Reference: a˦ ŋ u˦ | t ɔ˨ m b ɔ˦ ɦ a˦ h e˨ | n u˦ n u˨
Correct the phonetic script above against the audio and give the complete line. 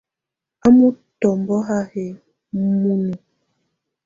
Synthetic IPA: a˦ m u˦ | t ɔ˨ m b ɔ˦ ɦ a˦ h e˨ | m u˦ n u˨